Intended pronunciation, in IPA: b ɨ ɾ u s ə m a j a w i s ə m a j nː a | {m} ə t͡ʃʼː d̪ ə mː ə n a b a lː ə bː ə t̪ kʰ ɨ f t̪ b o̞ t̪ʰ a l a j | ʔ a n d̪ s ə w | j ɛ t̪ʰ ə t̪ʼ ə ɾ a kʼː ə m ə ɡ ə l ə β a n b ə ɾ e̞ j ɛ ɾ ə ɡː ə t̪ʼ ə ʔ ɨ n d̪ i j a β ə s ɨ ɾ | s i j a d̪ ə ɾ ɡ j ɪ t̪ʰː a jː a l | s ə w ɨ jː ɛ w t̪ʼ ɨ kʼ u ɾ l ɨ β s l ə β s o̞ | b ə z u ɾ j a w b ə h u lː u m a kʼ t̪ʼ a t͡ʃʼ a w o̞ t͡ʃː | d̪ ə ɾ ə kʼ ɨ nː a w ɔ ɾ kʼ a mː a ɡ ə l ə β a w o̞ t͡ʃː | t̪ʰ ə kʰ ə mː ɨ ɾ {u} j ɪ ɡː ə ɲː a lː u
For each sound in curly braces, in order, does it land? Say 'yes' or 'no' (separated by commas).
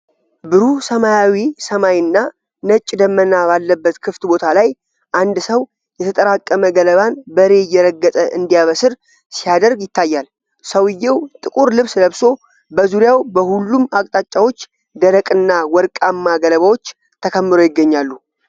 no, no